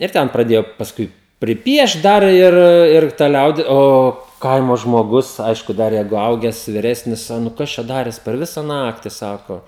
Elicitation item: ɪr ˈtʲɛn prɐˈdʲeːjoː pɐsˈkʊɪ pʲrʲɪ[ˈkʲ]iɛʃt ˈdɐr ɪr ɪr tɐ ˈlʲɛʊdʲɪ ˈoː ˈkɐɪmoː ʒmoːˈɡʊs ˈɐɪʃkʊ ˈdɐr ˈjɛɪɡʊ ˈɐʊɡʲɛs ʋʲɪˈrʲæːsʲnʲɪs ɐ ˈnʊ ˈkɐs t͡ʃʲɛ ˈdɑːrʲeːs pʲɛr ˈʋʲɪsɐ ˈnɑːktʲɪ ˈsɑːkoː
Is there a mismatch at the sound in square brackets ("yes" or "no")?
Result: yes